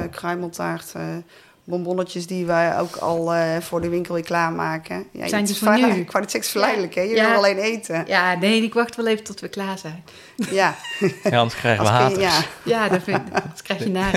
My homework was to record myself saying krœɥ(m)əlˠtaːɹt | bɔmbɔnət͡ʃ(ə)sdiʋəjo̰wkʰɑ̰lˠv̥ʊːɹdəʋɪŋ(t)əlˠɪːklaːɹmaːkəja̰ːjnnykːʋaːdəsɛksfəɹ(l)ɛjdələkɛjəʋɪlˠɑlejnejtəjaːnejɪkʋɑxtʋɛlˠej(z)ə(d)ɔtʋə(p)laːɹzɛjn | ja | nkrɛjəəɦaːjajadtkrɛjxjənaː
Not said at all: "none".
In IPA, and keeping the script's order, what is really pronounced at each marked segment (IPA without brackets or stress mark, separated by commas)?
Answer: m, ə, k, l, v, t, k